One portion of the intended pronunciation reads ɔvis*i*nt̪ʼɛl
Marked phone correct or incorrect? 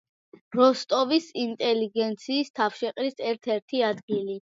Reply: correct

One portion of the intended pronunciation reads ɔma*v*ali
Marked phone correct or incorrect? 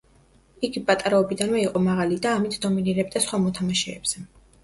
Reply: incorrect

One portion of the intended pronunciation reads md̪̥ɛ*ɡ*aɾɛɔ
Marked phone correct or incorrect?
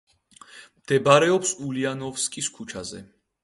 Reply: incorrect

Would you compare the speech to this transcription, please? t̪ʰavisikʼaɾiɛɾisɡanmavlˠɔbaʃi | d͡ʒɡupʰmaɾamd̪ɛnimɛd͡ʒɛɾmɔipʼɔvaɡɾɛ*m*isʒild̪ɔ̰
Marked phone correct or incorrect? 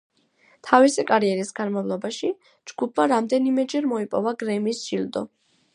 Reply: correct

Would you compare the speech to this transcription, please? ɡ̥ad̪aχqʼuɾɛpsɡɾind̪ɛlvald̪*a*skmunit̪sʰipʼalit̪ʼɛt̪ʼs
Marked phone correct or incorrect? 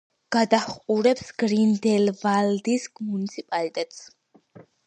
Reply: incorrect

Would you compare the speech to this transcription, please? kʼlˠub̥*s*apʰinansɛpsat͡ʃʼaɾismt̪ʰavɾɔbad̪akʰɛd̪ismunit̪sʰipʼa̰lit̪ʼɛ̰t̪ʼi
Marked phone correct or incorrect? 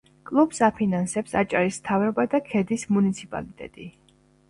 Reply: correct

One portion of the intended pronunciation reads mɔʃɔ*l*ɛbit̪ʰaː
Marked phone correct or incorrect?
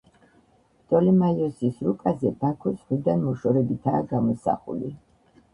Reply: incorrect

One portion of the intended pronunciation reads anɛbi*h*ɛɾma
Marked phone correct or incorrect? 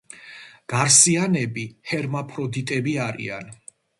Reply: correct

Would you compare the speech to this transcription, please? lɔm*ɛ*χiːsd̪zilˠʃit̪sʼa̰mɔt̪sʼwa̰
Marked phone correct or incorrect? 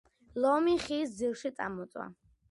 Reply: incorrect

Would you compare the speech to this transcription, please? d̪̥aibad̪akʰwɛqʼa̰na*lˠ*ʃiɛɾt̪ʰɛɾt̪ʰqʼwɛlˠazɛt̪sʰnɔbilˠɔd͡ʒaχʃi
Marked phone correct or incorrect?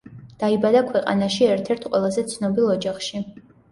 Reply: incorrect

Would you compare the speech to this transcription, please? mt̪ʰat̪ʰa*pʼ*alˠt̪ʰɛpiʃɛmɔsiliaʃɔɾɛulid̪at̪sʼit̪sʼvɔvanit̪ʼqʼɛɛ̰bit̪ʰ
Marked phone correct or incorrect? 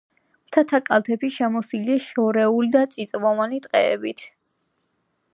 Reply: incorrect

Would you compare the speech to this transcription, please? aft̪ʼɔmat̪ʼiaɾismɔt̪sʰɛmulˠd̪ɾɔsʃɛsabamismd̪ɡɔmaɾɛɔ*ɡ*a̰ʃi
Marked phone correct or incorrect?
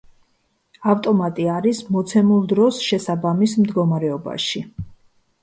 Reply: incorrect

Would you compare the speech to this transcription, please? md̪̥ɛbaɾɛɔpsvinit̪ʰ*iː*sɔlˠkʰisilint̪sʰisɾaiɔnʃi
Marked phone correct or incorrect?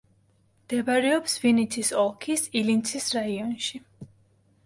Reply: incorrect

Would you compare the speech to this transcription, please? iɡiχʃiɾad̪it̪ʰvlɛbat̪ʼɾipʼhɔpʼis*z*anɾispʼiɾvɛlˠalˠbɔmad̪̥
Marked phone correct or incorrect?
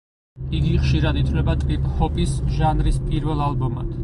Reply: incorrect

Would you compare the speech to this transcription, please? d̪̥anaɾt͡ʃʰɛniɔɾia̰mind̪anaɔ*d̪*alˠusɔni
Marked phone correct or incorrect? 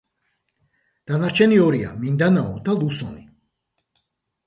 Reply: correct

